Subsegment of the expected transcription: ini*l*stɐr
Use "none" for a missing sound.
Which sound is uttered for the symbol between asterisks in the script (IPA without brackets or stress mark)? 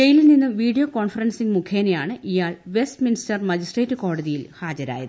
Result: none